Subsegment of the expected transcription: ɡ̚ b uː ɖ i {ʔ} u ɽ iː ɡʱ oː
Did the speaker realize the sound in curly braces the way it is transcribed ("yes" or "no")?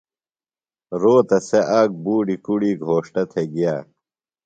no